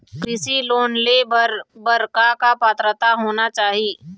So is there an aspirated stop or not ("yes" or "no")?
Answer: no